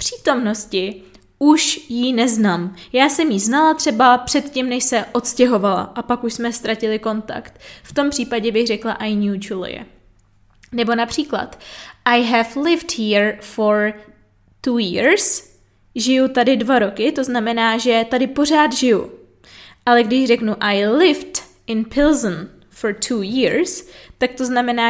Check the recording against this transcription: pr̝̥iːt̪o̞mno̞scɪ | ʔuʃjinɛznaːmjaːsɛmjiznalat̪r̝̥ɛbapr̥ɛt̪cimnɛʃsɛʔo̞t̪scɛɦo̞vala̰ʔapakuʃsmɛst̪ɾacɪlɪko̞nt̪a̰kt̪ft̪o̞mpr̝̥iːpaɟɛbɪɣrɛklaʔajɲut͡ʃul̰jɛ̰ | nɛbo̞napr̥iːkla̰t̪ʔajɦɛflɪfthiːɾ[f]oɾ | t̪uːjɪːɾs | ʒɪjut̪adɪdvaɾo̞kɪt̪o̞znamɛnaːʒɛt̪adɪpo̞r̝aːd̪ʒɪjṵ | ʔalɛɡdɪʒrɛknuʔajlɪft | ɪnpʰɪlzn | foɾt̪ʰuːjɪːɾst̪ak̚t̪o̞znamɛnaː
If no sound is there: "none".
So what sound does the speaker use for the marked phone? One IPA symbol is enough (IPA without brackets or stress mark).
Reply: f